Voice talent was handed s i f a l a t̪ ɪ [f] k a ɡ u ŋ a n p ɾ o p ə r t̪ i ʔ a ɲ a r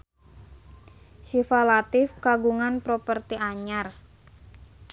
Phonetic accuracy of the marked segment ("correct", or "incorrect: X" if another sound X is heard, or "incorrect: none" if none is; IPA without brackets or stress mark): correct